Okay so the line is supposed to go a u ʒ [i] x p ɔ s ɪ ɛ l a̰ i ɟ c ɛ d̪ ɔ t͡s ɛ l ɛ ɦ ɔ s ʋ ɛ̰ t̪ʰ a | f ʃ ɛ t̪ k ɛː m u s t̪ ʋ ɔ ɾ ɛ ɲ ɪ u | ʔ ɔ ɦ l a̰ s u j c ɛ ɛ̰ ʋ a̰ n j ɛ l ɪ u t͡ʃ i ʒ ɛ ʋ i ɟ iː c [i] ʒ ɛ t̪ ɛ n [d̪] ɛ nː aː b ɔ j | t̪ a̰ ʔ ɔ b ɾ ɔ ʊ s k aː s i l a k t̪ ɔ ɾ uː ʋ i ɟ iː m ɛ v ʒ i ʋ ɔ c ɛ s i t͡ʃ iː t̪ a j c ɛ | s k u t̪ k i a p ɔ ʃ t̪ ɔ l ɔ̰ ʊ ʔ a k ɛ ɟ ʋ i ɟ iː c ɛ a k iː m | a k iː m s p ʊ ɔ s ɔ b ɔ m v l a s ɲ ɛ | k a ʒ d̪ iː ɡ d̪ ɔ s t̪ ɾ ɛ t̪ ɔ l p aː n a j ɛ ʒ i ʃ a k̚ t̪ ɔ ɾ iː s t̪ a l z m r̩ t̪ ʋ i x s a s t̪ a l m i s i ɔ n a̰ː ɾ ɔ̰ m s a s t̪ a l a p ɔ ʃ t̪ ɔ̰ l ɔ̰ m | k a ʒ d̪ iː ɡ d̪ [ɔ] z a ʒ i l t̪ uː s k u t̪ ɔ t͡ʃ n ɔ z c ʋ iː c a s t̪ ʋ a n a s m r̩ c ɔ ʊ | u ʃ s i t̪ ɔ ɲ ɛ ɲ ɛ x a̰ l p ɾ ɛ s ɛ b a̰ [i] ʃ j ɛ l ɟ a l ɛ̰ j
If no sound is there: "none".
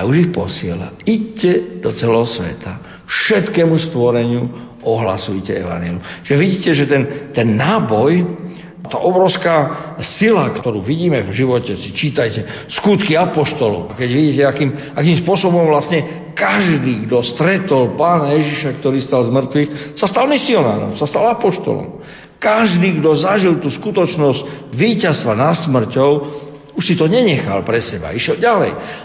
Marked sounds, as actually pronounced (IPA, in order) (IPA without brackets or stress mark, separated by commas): i, ɛ, t̪, ɔ, i